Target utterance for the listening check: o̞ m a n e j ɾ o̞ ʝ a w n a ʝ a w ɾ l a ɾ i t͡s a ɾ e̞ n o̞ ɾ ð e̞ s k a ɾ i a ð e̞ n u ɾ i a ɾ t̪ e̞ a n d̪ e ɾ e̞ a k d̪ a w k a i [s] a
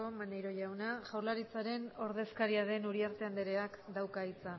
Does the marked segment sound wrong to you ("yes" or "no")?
yes